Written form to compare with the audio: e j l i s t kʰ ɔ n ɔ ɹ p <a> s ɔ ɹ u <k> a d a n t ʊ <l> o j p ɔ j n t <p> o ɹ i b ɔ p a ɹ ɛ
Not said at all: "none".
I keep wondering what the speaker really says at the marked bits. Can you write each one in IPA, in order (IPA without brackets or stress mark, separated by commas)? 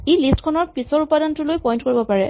i, p, l, k